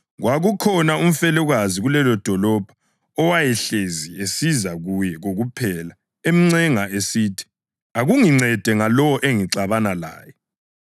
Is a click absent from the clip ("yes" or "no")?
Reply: no